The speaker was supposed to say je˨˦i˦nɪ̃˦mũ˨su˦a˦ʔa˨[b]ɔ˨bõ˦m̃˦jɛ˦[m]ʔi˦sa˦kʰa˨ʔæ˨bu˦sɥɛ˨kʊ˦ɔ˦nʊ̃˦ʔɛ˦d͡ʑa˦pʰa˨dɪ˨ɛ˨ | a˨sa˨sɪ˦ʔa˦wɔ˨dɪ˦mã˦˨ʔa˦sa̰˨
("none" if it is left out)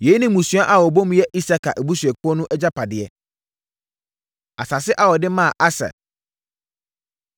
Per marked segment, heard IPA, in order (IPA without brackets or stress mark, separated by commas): w, none